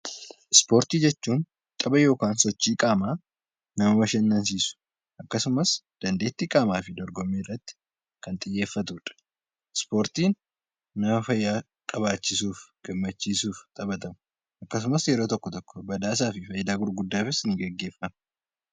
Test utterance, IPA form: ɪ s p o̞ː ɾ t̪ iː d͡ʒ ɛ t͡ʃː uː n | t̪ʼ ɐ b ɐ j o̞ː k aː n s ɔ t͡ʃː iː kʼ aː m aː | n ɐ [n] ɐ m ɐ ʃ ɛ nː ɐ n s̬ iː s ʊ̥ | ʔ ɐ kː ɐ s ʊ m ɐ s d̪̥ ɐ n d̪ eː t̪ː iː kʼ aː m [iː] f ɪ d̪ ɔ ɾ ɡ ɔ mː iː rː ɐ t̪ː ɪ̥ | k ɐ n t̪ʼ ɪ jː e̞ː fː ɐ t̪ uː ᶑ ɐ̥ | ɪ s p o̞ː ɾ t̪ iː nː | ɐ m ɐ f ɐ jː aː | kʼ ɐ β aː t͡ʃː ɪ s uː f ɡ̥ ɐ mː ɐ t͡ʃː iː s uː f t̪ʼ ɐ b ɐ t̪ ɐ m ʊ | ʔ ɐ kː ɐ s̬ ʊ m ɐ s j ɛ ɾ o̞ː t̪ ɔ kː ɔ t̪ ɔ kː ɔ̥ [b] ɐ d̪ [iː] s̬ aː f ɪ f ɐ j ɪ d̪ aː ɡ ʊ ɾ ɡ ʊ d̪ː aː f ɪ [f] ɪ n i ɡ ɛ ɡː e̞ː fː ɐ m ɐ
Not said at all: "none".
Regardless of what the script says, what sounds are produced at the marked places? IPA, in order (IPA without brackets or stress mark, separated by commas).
m, aː, b, aː, s